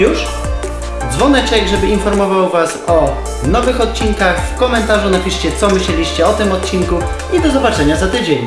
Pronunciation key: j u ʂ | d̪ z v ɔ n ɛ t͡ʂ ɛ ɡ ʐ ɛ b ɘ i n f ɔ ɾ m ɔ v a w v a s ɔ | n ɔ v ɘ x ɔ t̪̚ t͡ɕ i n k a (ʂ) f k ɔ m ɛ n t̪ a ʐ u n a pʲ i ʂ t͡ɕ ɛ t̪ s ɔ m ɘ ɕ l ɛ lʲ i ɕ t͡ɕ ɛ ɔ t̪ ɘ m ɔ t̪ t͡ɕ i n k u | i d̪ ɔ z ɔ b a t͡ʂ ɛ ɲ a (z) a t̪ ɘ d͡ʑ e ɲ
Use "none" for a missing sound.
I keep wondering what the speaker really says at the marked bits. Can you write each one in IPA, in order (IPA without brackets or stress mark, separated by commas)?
x, z